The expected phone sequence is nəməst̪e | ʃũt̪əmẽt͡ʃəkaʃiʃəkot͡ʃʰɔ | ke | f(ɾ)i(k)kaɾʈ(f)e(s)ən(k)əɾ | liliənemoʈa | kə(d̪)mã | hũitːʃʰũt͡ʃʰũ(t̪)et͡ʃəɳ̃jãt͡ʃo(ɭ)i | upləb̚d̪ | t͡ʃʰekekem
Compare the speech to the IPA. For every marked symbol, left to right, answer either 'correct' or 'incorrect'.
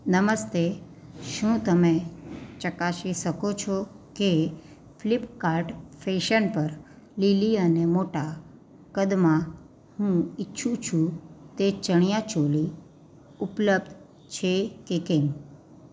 incorrect: l, incorrect: p, correct, incorrect: ʃ, incorrect: p, correct, correct, incorrect: l

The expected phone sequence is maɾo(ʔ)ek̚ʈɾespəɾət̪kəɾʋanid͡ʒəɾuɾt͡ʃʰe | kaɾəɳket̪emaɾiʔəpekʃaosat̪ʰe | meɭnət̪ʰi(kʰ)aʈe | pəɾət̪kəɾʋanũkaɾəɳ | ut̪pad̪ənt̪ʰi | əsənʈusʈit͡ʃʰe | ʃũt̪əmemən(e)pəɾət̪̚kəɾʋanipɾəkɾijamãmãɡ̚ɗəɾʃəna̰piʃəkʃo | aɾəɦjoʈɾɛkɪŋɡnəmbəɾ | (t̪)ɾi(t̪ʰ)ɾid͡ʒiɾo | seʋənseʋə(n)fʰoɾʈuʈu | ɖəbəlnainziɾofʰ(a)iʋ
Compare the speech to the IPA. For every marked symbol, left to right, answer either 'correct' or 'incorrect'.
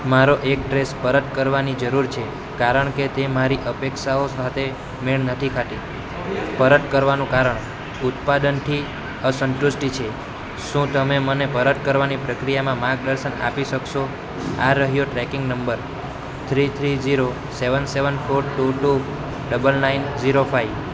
correct, correct, correct, incorrect: t̪ʰ, correct, correct, correct

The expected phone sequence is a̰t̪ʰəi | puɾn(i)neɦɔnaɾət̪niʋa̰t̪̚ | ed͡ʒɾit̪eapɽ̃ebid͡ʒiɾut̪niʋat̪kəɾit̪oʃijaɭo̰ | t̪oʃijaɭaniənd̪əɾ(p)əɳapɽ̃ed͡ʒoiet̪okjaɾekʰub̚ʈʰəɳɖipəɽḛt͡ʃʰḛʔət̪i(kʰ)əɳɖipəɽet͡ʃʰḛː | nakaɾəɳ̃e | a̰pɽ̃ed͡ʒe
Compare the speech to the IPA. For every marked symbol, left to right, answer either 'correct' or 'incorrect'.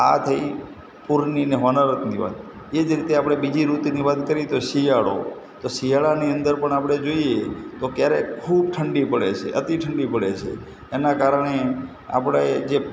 correct, correct, incorrect: ʈʰ

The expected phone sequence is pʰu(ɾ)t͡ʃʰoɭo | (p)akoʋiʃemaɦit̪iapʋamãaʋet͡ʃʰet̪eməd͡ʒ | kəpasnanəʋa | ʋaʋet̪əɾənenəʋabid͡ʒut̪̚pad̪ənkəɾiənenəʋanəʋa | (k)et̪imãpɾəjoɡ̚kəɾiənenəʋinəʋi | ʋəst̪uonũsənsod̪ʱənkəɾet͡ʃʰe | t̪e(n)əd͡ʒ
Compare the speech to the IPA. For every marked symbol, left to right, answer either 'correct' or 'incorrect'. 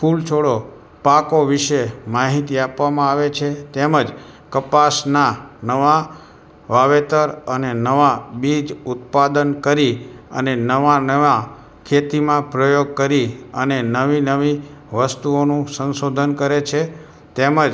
incorrect: l, correct, incorrect: kʰ, incorrect: m

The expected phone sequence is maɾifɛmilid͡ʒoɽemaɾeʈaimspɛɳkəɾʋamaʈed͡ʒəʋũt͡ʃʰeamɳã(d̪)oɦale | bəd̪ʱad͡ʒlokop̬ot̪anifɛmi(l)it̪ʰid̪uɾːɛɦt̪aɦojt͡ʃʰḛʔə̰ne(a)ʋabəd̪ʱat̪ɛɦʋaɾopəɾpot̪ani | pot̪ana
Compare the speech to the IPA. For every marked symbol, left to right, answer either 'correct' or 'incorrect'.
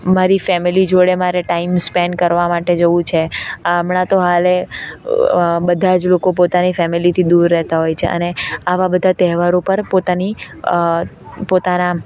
incorrect: t̪, correct, correct

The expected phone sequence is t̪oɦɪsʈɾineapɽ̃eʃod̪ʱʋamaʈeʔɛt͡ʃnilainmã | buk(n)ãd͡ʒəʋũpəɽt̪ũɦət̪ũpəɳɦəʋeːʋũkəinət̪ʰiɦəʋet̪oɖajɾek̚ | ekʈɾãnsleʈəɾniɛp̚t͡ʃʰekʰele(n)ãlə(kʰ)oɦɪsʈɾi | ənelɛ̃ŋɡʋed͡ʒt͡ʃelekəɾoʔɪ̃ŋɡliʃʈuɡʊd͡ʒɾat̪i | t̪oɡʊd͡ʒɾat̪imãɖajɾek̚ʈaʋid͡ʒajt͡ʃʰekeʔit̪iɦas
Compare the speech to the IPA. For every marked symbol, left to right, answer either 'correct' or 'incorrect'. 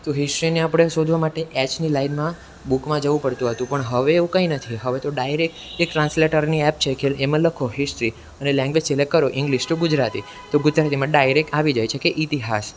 incorrect: m, incorrect: m, correct

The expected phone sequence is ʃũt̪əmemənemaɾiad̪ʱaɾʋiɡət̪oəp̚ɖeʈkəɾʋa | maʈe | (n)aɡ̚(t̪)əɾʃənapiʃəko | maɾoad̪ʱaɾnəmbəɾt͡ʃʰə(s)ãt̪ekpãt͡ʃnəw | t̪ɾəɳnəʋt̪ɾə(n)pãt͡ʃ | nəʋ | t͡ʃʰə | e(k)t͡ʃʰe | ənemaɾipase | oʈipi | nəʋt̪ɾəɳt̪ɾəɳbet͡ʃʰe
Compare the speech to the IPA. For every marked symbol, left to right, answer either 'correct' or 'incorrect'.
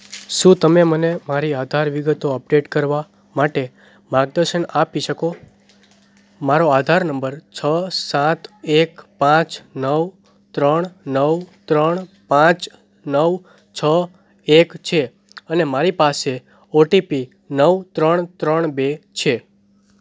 incorrect: m, incorrect: d̪, correct, incorrect: ɳ, correct

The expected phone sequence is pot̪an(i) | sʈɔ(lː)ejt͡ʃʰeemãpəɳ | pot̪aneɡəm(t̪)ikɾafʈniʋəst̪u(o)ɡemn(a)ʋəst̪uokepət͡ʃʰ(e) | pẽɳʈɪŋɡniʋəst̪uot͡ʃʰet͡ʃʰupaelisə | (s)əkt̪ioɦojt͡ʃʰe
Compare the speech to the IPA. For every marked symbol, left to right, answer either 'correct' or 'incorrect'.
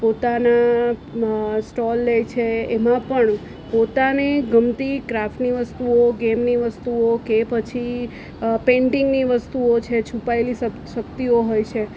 incorrect: a, correct, correct, correct, incorrect: i, incorrect: i, incorrect: ʃ

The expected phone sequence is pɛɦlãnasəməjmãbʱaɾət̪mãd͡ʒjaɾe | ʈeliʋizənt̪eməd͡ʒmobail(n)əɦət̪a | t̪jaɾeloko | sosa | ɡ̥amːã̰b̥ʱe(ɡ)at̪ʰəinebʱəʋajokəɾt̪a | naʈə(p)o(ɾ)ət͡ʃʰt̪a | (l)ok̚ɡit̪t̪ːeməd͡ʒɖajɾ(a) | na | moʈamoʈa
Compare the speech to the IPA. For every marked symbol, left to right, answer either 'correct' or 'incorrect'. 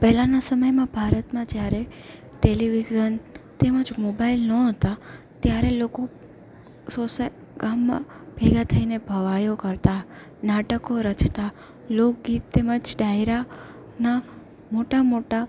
correct, correct, incorrect: k, correct, correct, correct

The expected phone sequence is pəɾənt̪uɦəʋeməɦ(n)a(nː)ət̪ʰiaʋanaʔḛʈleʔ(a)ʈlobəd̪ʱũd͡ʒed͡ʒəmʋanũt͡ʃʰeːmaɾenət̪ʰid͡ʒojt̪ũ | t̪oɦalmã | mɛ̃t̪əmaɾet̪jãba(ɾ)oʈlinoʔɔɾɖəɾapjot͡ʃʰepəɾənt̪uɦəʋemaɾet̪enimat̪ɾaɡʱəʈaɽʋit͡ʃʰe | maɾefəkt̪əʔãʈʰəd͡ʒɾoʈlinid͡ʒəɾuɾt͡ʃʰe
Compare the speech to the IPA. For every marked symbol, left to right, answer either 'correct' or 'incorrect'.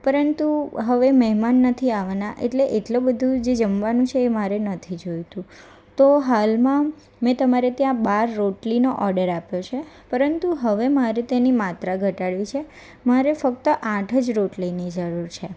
incorrect: m, correct, incorrect: e, incorrect: ɾː

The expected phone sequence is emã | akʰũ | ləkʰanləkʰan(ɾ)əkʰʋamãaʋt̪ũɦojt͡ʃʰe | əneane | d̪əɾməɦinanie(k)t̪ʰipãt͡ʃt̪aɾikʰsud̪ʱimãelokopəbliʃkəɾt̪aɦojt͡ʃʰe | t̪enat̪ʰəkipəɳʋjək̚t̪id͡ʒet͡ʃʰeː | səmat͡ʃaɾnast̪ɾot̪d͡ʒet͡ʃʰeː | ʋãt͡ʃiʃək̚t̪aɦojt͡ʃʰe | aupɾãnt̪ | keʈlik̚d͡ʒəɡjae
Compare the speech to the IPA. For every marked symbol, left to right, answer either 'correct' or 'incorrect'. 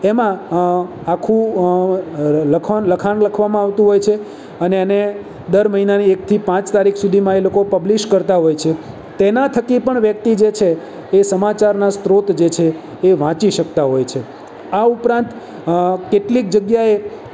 incorrect: l, correct

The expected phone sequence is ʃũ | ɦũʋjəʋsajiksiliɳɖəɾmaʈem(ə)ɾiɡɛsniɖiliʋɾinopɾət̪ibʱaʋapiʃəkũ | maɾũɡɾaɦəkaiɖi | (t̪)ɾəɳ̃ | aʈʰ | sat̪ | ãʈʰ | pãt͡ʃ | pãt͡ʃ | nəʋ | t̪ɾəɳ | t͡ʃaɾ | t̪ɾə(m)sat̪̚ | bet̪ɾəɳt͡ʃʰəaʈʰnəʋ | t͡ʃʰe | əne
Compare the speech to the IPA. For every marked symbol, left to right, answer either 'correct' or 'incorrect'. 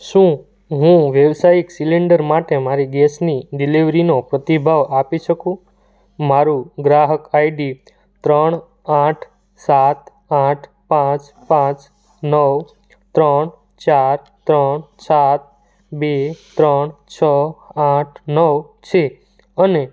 incorrect: a, correct, incorrect: ɳ

